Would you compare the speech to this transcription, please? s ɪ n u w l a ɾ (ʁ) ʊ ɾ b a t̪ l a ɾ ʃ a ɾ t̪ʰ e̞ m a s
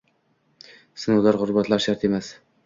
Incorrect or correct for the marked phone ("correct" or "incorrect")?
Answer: correct